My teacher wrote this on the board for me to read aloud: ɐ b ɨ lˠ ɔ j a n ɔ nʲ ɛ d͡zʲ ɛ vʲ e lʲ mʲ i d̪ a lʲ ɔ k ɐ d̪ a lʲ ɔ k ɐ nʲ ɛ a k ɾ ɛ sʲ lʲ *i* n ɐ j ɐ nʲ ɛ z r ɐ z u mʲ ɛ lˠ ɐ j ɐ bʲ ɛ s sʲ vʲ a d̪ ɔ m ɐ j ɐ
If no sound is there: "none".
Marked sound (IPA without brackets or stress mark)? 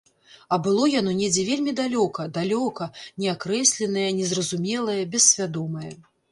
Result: ɛ